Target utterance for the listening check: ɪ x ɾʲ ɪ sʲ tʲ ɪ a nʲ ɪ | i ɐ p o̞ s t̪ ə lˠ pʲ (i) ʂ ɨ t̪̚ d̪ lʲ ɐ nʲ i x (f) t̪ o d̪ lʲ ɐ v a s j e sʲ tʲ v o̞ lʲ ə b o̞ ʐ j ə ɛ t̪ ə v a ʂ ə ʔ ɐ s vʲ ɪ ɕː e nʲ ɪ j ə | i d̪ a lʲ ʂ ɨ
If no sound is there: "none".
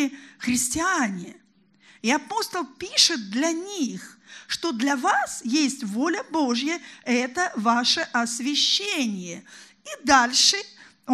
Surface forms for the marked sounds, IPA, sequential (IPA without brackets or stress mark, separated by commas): i, ʂ